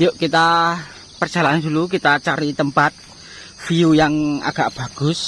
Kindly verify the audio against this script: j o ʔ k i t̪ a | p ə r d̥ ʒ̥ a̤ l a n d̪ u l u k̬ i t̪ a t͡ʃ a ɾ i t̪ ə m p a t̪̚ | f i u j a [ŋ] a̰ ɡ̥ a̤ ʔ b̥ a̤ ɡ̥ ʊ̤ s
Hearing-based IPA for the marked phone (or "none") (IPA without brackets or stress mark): ŋ